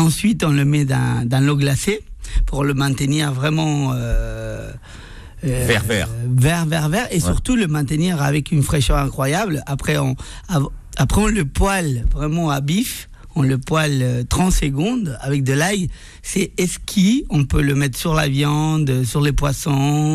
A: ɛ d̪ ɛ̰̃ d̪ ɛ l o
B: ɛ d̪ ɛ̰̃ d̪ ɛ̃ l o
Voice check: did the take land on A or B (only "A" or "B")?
B